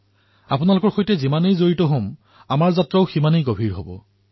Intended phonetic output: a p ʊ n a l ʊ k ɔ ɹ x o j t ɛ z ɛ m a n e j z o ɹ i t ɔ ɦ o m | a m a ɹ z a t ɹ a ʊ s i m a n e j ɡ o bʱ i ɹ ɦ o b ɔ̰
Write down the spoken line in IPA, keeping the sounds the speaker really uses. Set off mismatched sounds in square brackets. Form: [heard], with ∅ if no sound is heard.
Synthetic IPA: a p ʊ n a l ʊ k ɔ ɹ x o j t ɛ z [i] m a n e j z o ɹ i t ɔ ɦ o m | a m a ɹ z a t ɹ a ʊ [x] i m a n e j ɡ o bʱ i ɹ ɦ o b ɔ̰